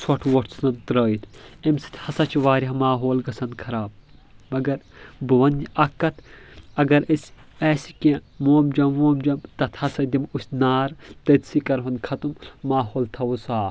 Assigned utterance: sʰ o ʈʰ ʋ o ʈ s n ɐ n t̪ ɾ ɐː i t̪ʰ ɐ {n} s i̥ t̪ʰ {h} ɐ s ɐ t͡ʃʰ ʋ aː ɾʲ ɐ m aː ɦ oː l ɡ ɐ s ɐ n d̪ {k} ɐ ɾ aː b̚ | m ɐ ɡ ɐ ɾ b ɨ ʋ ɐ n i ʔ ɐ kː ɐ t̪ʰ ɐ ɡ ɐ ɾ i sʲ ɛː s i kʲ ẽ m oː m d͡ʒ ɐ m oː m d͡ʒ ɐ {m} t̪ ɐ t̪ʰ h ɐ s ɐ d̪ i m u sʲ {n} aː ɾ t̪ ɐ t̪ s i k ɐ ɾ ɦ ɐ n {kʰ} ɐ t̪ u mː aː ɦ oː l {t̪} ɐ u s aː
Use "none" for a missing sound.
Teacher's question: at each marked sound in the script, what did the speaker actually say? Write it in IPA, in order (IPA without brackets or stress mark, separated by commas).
m, h, kʰ, m, n, kʰ, t̪ʰ